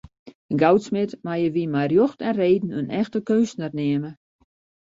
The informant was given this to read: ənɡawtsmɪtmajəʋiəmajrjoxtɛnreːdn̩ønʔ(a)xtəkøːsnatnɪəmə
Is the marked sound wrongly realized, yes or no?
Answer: yes